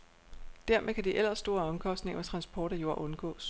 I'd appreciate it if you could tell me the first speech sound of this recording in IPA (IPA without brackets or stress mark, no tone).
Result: d̥